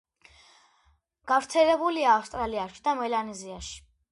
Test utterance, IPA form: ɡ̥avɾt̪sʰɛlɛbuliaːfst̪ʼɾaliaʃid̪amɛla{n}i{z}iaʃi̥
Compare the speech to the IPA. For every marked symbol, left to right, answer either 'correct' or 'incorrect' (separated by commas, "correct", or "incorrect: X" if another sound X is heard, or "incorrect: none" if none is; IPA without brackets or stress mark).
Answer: correct, correct